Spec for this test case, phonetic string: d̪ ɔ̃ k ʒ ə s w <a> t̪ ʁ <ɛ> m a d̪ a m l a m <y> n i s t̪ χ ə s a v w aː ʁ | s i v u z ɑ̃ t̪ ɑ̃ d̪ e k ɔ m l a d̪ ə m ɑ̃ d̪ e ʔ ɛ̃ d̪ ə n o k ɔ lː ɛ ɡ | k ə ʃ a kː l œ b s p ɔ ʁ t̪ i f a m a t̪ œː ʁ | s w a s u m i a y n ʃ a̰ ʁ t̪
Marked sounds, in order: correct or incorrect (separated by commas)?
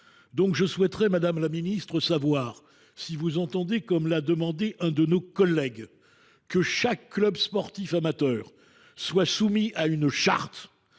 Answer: incorrect, correct, incorrect